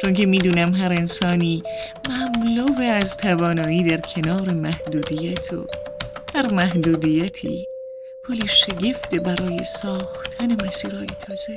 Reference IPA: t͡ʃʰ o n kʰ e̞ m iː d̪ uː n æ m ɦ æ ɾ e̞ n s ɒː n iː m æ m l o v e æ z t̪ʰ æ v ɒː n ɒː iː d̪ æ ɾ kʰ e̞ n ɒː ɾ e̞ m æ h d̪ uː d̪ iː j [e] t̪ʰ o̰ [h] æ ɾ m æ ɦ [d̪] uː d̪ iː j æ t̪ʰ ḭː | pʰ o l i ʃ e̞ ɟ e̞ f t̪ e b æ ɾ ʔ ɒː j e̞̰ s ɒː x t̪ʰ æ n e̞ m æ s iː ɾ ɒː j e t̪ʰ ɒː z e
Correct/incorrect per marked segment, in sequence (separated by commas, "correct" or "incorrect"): incorrect, correct, correct